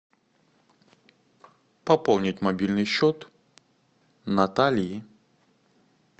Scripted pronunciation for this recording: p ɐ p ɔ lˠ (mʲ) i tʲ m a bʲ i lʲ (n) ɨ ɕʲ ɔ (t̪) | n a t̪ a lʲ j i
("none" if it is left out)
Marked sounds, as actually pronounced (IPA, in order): nʲ, n, t̪

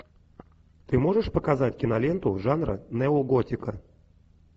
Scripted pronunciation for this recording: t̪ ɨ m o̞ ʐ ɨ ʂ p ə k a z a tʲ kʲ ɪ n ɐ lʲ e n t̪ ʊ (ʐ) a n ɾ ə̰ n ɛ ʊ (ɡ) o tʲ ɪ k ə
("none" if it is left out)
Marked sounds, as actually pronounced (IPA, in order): ʐ, ɡ

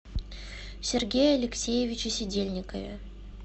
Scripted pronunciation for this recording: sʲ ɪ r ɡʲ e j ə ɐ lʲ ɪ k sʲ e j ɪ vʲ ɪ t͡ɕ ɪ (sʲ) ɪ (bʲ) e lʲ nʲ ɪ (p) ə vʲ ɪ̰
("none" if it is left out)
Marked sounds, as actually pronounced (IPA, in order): sʲ, dʲ, k

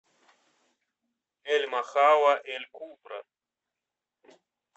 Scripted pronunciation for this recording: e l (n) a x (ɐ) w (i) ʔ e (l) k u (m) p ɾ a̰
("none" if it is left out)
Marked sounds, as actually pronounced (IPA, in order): m, a, a, l, m

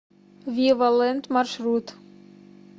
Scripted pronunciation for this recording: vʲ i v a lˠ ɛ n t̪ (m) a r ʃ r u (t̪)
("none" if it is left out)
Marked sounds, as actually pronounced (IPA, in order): m, t̪

